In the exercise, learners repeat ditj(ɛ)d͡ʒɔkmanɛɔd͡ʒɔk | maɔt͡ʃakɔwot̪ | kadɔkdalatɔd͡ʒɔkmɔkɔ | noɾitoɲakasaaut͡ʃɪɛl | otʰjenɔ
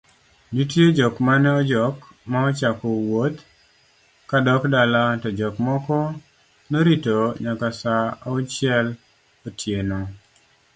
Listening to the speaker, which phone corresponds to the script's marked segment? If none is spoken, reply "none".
e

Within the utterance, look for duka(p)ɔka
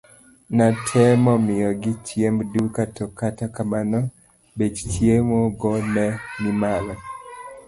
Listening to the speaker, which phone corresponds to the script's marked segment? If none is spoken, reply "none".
t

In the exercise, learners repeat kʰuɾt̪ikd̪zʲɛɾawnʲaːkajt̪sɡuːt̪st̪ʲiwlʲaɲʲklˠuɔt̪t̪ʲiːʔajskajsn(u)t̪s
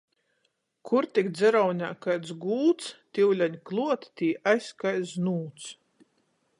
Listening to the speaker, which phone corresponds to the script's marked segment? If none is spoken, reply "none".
uː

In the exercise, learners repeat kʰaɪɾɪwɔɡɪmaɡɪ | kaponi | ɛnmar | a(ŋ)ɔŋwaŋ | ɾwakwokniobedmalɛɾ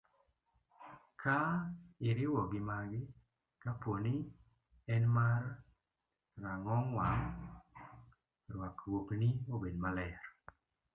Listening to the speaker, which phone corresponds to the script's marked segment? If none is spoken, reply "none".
ŋ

